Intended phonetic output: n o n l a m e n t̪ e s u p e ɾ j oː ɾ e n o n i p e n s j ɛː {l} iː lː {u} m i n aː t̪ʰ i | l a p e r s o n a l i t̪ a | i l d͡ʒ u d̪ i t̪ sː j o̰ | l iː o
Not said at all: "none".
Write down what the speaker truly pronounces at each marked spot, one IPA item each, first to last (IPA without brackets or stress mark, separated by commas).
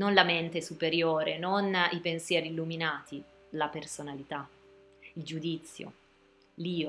ɾ, u